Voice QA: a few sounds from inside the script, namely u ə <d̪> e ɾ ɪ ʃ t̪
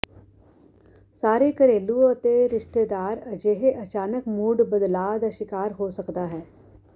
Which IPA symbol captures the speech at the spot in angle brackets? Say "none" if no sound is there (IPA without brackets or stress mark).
t̪